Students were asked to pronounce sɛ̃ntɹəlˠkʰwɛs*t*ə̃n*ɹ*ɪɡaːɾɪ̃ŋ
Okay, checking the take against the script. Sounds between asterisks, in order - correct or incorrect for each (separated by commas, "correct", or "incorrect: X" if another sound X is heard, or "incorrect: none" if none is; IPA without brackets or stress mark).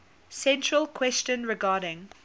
incorrect: t͡ʃ, correct